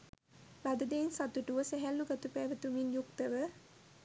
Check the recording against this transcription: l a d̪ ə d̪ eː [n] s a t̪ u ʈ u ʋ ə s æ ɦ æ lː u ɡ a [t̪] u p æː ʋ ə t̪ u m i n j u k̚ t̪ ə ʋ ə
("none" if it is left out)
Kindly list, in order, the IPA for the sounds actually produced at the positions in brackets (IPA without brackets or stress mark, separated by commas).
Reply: n, t̪